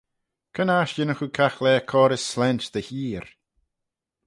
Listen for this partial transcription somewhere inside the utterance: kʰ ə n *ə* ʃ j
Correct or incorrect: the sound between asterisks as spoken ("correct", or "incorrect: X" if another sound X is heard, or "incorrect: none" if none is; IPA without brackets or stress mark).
incorrect: a